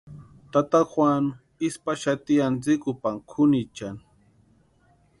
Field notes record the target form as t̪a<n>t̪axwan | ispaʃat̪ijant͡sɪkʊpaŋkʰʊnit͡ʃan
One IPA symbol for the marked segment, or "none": none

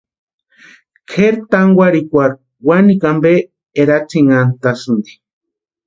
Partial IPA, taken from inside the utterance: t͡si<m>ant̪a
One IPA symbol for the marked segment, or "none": ŋ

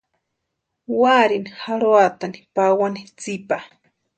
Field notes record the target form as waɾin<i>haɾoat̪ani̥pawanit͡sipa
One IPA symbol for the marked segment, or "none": i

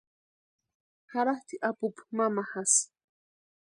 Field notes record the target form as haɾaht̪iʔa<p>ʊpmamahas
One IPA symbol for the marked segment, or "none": p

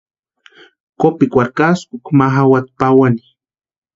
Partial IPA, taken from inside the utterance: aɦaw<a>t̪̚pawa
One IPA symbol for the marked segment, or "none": a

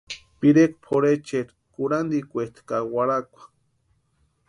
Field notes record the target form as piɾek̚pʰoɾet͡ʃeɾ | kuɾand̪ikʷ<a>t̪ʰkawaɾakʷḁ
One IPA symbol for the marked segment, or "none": e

